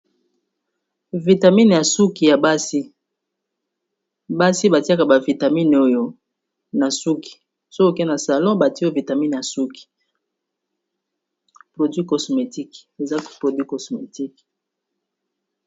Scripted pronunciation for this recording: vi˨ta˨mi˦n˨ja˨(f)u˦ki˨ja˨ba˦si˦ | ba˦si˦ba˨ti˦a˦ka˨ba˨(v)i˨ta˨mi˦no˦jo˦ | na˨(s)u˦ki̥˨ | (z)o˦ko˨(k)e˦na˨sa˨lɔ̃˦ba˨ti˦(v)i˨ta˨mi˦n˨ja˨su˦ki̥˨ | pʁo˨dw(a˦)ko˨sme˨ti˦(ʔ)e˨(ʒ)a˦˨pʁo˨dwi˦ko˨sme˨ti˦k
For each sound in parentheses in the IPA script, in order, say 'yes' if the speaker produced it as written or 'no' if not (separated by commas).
no, yes, yes, no, yes, yes, no, no, no